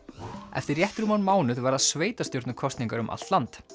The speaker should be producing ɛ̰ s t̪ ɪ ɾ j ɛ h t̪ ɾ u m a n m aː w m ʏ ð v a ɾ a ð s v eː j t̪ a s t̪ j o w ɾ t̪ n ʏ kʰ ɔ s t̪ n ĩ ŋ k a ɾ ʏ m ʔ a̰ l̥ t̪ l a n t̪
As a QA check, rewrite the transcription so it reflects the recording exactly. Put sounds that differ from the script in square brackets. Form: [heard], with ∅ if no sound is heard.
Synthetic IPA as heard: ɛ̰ [f] t̪ ɪ ɾ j ɛ h t̪ ɾ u m a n m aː w [n] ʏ ð v a ɾ a ð s v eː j t̪ a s t̪ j o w ɾ t̪ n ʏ kʰ ɔ s t̪ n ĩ ŋ k a ɾ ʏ m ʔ a̰ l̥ t̪ l a n t̪